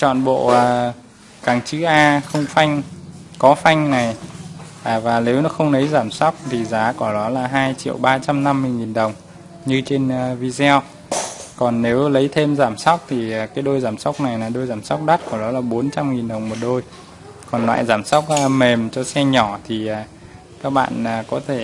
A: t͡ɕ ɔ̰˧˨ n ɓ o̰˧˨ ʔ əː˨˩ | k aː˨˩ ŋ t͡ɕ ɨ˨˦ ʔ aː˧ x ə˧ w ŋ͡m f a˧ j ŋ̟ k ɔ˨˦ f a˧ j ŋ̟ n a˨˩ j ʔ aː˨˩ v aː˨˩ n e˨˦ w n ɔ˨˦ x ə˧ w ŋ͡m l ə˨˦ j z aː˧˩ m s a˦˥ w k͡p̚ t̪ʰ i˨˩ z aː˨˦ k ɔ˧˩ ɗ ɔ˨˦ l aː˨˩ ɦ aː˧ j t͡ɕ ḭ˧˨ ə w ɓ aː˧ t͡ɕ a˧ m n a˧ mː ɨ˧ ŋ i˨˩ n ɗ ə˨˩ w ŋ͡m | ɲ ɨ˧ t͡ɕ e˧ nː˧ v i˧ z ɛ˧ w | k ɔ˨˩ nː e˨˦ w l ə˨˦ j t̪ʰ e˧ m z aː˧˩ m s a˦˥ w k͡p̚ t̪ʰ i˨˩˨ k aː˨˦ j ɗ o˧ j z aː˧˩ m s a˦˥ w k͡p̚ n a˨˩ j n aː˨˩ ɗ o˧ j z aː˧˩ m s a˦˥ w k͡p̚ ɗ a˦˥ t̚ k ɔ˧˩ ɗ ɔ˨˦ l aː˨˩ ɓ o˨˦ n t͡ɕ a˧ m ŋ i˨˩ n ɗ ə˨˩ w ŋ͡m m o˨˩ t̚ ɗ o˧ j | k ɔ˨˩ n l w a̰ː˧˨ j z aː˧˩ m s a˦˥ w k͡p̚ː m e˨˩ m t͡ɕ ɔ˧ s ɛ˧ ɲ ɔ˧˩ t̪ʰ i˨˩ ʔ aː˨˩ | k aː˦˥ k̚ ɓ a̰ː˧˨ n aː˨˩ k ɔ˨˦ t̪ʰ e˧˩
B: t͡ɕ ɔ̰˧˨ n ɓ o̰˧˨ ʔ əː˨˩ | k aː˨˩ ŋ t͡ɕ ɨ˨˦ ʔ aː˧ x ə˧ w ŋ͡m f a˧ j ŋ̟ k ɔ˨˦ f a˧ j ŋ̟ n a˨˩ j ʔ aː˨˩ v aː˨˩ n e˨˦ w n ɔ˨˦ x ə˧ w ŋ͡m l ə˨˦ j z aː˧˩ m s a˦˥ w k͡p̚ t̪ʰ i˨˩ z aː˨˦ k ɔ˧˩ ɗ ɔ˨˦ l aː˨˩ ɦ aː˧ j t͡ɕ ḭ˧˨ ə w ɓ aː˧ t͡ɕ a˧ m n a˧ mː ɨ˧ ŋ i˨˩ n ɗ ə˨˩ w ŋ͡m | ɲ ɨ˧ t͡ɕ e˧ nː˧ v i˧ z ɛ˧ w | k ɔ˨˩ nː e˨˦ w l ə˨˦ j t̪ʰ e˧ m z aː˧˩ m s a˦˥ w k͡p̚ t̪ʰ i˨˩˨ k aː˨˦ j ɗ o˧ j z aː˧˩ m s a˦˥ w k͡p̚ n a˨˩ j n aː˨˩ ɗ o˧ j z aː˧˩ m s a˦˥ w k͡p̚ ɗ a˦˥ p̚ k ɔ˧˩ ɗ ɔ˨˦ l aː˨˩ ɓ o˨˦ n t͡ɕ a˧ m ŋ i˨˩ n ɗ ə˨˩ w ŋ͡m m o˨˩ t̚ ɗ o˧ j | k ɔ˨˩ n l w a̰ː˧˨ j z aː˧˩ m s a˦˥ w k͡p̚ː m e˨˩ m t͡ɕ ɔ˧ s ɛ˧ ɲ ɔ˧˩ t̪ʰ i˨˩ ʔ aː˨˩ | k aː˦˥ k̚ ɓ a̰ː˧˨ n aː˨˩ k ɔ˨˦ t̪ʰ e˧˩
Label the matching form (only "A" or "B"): A